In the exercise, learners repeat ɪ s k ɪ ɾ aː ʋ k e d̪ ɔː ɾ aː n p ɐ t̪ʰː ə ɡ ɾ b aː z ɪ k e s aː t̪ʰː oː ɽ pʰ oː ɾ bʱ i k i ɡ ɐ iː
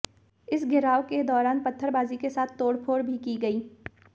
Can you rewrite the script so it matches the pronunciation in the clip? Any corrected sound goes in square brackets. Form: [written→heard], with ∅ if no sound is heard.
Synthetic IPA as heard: ɪ s [k→ɡ] ɪ ɾ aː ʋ k e d̪ ɔː ɾ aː n p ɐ t̪ʰː ə [ɡ→∅] ɾ b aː z [ɪ→i] k e s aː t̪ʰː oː ɽ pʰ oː ɾ bʱ i k i ɡ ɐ iː

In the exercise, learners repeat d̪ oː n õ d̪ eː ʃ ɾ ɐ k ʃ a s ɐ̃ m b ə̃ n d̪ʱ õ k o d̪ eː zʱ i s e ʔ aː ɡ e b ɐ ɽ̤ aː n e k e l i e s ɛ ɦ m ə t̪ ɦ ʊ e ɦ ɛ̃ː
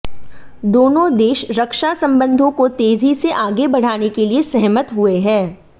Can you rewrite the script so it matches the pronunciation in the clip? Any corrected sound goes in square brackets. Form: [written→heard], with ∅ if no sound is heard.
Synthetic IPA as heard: d̪ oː n õ d̪ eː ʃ ɾ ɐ k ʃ a s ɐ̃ m b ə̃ n d̪ʱ õ k o [d̪→t̪] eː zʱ i s e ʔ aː ɡ e b ɐ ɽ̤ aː n e k e l i e s ɛ ɦ m ə t̪ ɦ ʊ e ɦ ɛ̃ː

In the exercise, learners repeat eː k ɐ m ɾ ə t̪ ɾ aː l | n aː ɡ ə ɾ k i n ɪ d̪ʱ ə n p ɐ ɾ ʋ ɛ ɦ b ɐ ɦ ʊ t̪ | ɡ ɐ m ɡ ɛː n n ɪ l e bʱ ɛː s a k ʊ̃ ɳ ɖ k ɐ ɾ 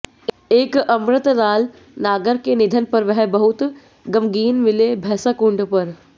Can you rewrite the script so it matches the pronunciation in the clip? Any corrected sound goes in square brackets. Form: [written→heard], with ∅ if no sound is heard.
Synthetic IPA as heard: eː k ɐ m ɾ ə t̪ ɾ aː l | n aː ɡ ə ɾ k [i→e] n ɪ d̪ʱ ə n p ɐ ɾ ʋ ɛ ɦ b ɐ ɦ ʊ t̪ | ɡ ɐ m ɡ [ɛː→iː] n [n→m] ɪ l e bʱ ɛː s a k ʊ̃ ɳ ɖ [k→p] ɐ ɾ

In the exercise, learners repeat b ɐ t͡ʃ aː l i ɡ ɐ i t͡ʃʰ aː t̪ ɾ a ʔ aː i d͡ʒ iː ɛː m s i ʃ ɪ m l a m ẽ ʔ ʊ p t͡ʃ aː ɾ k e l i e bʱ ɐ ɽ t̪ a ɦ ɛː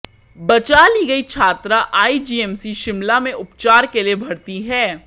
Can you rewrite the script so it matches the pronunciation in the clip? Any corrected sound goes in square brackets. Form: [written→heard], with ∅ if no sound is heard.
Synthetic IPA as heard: b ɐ t͡ʃ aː l i ɡ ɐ i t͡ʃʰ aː t̪ ɾ a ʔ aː i d͡ʒ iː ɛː m s i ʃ ɪ m l a m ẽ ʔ ʊ p t͡ʃ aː ɾ k e l i e bʱ ɐ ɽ t̪ [a→i] ɦ ɛː

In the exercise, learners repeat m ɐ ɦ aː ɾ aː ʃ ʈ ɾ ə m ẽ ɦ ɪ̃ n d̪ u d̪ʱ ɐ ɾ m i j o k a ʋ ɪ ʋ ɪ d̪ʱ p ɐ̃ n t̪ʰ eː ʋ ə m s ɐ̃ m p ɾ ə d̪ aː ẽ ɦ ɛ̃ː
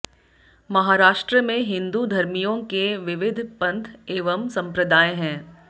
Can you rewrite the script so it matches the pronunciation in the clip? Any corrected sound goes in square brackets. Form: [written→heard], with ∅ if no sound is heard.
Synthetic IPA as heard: m ɐ ɦ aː ɾ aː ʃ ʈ ɾ ə m ẽ ɦ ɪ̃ n d̪ u d̪ʱ ɐ ɾ m i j [o→õ] k [a→e] ʋ ɪ ʋ ɪ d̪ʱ p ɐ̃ n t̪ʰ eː ʋ ə m s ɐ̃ m p ɾ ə d̪ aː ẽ ɦ ɛ̃ː

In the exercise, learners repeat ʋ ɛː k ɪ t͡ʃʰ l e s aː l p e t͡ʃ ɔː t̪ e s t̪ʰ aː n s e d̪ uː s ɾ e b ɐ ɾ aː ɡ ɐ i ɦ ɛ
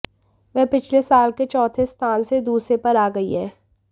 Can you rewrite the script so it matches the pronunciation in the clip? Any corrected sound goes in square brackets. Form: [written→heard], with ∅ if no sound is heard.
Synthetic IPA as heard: ʋ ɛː [k→p] ɪ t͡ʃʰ l e s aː l [p→k] e t͡ʃ ɔː [t̪→t̪ʰ] e s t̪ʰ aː n s e d̪ uː s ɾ e [b→p] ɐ ɾ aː ɡ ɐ i ɦ [ɛ→ɛː]

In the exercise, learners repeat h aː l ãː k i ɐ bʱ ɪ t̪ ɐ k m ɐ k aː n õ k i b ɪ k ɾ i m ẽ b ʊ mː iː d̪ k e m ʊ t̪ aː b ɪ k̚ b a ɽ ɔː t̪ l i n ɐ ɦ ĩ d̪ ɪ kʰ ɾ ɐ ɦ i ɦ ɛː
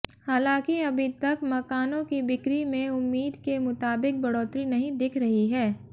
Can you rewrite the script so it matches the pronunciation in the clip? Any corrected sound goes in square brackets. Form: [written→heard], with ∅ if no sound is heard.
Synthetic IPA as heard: h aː l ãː k i ɐ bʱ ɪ t̪ ɐ k m ɐ k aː n õ k i b ɪ k ɾ i m ẽ [b→∅] ʊ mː iː d̪ k e m ʊ t̪ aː b ɪ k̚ b [a→ɐ] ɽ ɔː t̪ [l→ɾ] i n ɐ ɦ ĩ d̪ ɪ kʰ ɾ ɐ ɦ i ɦ ɛː

